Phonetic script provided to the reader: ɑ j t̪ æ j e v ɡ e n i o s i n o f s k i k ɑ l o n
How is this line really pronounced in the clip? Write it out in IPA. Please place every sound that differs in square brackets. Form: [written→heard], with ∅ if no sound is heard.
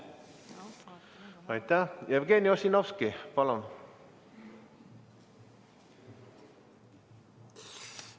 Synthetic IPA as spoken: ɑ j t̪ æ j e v ɡ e n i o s i n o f s k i [k→p] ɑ l o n